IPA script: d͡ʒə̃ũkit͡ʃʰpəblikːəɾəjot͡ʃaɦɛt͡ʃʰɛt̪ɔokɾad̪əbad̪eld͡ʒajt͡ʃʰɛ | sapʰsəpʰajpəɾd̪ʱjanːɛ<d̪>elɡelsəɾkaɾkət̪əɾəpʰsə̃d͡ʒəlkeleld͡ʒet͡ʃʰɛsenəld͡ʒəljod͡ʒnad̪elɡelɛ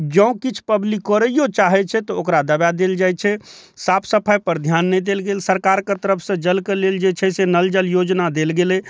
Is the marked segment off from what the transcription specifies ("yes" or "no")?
no